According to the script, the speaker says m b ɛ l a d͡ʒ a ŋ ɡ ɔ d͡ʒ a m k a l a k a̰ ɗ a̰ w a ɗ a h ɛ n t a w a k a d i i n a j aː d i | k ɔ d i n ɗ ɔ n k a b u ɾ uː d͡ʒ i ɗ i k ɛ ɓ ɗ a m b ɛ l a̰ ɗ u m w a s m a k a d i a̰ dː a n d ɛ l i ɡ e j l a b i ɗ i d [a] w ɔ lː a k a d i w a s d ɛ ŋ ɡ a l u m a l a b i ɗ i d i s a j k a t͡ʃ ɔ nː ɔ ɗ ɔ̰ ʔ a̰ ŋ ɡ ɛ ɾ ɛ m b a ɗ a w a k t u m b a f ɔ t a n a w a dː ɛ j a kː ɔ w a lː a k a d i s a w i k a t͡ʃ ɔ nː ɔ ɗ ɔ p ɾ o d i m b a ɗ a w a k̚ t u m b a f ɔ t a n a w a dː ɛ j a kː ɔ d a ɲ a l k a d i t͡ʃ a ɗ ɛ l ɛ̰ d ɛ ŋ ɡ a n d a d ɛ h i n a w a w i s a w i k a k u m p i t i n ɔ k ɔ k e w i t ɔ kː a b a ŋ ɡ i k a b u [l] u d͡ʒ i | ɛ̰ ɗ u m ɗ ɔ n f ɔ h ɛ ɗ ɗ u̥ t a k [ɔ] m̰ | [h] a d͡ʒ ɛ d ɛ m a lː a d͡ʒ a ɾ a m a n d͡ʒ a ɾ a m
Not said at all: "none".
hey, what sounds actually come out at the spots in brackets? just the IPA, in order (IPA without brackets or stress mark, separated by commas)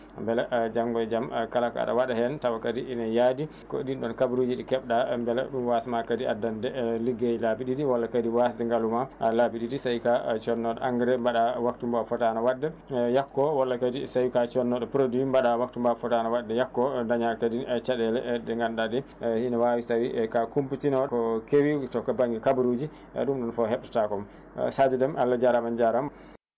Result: i, ɾ, ɔ, s